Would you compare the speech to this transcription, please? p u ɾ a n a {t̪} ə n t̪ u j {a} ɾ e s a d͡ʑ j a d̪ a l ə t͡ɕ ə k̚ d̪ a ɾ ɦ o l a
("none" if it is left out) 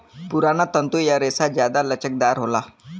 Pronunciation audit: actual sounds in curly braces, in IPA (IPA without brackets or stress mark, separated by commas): t̪, a